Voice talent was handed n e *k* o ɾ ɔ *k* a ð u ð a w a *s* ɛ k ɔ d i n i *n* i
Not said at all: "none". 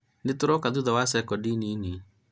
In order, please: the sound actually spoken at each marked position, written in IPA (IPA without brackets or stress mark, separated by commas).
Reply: t, k, s, n